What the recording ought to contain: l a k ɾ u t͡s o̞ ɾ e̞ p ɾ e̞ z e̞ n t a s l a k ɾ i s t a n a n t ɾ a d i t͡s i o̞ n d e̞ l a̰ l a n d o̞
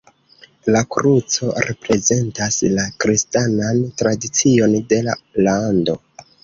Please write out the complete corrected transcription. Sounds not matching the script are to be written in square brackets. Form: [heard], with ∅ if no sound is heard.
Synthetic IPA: l a k ɾ u t͡s o̞ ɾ e̞ p ɾ e̞ z e̞ n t a s l a k ɾ i s t a n a n t ɾ a d i t͡s i o̞ n d e̞ l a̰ l a n d o̞